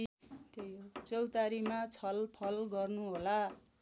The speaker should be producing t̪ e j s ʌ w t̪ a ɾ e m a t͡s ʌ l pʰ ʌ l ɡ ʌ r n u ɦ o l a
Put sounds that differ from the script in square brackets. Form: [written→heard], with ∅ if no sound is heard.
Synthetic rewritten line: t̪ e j [s→t͡s] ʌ w t̪ a ɾ [e→i] m a [t͡s→t͡sʰ] ʌ l pʰ ʌ l ɡ ʌ r n u ɦ o l a